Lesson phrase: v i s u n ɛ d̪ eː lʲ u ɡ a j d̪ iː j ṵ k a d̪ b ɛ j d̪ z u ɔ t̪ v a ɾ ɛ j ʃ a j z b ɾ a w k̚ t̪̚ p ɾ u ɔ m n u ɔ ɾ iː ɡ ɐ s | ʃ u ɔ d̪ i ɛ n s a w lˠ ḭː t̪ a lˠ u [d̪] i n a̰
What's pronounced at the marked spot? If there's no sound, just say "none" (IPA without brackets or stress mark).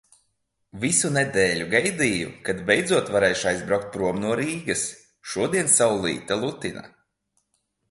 t̪